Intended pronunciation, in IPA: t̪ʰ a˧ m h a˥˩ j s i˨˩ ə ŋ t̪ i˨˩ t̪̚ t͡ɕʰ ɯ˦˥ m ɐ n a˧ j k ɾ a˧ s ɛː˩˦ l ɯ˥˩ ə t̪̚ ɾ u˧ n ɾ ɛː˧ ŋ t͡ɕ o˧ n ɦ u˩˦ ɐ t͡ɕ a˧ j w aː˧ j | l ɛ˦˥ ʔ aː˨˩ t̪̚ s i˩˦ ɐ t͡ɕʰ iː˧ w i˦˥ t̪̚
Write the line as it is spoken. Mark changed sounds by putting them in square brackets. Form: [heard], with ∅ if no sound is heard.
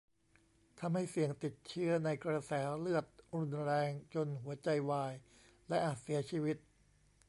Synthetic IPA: t̪ʰ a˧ m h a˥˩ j s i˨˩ ə ŋ t̪ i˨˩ t̪̚ t͡ɕʰ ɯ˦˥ [∅] ɐ n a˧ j k ɾ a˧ s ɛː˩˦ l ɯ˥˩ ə t̪̚ ɾ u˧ n ɾ ɛː˧ ŋ t͡ɕ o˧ n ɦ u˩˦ ɐ t͡ɕ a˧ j w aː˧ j | l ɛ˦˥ ʔ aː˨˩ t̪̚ s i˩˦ ɐ t͡ɕʰ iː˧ w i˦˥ t̪̚